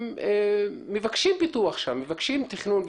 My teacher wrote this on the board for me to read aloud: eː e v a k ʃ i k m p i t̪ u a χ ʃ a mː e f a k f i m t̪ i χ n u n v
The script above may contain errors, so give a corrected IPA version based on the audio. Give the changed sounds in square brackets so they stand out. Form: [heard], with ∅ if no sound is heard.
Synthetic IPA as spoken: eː e v a k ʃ i [∅] m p i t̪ u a χ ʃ a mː e [v] a k [ʃ] i m t̪ i χ n u n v